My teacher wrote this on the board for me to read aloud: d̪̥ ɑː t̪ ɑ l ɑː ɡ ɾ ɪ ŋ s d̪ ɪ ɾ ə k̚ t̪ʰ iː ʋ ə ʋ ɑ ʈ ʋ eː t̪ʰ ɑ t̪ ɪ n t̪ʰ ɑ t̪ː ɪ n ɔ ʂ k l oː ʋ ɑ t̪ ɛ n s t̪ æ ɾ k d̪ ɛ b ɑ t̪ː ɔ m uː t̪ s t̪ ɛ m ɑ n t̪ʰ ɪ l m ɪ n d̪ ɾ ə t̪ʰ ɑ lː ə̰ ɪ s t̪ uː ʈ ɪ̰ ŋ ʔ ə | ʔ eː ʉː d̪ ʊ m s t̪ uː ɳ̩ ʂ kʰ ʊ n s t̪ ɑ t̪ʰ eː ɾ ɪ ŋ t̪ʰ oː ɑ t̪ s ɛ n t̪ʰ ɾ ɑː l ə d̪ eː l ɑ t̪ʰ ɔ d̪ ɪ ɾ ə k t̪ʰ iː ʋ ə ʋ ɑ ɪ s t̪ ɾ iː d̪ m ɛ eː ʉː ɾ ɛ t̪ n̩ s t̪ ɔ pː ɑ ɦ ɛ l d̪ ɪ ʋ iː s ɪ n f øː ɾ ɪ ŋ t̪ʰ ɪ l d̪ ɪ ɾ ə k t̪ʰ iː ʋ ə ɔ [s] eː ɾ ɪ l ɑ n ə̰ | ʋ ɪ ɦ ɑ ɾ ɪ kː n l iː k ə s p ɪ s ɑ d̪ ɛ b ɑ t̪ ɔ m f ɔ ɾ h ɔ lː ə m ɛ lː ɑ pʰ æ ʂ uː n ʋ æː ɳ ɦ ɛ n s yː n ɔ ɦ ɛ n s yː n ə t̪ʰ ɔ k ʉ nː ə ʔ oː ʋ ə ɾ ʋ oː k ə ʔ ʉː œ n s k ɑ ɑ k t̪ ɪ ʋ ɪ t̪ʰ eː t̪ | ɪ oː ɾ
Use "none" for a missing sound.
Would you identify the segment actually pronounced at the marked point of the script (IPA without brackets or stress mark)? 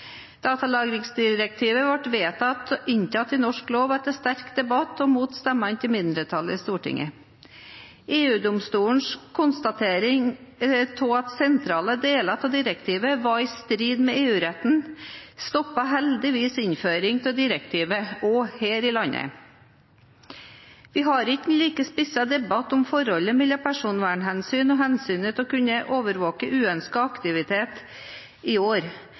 h